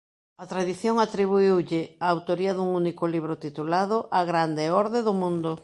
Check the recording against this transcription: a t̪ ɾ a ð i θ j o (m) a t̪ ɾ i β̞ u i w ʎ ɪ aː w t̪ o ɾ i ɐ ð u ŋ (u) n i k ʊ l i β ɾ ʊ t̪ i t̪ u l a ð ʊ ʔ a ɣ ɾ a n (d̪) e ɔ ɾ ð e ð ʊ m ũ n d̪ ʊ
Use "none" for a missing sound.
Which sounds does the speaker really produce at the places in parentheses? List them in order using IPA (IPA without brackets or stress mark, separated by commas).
ŋ, u, d̪